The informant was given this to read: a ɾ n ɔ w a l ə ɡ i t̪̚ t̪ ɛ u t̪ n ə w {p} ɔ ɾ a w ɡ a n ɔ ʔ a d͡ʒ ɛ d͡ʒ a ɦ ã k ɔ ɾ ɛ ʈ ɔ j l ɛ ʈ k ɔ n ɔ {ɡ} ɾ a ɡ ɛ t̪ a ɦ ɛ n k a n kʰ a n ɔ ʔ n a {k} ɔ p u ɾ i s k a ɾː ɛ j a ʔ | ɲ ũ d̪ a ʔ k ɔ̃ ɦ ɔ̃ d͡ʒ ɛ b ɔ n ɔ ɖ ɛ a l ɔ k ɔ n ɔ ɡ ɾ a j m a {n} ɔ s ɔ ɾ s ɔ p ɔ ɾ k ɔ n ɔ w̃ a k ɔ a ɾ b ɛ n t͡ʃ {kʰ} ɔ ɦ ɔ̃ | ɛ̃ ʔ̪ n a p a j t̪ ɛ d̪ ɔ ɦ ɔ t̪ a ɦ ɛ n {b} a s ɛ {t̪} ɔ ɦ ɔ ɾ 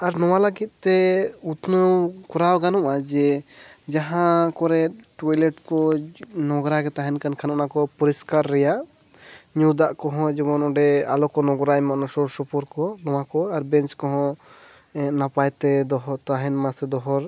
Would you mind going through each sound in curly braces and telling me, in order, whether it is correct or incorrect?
incorrect: k, correct, correct, correct, incorrect: k, incorrect: m, incorrect: d̪

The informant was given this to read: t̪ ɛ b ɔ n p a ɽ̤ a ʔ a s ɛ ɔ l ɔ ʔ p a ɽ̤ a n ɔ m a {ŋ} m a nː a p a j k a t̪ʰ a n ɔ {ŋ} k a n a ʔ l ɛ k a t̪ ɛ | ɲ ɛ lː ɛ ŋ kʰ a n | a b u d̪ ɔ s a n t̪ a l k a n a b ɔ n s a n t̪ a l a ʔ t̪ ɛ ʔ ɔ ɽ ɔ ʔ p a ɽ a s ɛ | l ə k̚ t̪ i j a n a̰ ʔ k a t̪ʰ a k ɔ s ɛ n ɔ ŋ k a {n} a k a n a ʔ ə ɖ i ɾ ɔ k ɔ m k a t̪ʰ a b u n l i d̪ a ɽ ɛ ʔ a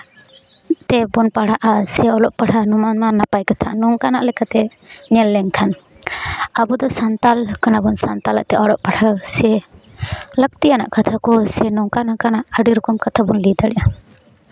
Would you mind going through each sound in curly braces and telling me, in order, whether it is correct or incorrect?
incorrect: n, correct, correct

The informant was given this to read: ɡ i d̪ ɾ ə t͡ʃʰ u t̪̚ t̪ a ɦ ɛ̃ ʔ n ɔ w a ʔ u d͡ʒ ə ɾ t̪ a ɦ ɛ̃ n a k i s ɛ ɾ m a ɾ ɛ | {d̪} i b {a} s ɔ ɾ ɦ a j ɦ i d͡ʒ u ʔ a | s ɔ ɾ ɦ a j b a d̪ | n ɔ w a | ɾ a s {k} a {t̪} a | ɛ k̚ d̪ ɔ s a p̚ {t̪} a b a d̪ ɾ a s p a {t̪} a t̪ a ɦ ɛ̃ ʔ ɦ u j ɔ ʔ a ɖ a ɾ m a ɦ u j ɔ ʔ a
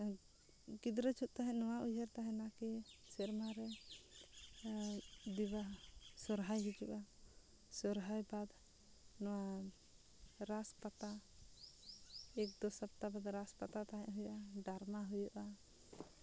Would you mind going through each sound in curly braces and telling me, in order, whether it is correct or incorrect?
correct, correct, incorrect: p, correct, correct, correct

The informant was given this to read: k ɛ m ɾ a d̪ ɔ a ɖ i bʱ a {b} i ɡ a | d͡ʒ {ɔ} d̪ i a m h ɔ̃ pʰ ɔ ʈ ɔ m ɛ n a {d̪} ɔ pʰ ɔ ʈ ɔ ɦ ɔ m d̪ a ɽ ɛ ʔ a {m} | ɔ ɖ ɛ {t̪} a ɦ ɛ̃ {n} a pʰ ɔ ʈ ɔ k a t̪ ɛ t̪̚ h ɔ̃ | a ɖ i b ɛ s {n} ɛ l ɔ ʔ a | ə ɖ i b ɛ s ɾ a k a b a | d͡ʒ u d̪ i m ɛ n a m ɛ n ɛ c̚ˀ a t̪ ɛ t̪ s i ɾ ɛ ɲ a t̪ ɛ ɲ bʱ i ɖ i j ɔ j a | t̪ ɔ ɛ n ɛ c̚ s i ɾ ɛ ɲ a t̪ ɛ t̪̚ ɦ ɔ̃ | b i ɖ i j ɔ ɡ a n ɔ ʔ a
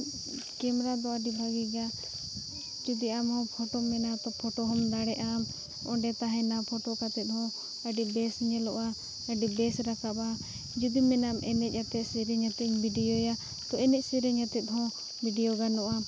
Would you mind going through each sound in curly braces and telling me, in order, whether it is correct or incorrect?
incorrect: ɡ, incorrect: u, incorrect: t̪, correct, correct, correct, incorrect: ɲ

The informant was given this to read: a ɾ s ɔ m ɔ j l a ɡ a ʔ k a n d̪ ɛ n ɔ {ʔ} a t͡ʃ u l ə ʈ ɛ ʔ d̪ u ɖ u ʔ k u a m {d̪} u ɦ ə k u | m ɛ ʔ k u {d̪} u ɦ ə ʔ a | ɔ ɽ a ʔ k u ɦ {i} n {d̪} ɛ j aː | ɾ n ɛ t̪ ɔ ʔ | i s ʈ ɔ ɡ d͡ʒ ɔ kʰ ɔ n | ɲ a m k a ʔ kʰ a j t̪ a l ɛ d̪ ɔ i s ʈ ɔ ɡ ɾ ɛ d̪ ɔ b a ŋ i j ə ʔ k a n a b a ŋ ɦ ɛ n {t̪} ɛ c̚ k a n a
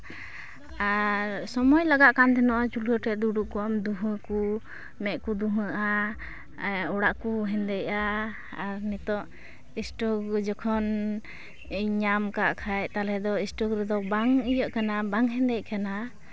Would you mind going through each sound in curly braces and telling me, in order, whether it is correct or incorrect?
correct, correct, correct, incorrect: ɛ, correct, incorrect: d̪

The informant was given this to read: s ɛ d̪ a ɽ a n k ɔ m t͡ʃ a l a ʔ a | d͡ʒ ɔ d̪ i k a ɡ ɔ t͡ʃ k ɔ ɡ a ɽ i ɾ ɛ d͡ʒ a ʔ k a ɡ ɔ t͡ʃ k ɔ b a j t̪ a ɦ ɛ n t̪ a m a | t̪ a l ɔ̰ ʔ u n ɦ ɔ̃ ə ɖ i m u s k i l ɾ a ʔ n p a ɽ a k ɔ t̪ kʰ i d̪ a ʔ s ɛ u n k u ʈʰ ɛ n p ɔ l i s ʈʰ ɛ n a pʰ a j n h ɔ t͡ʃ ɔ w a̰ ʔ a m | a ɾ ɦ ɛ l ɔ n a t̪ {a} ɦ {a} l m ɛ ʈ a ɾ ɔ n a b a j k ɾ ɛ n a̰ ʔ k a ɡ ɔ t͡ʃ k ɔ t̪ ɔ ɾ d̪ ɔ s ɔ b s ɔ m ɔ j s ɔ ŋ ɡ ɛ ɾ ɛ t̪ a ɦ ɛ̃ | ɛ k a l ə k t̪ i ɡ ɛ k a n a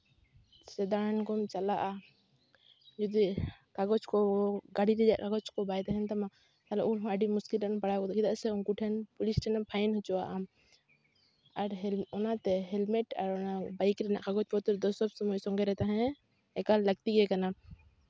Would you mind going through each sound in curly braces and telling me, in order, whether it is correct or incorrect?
incorrect: ɛ, incorrect: ɛ

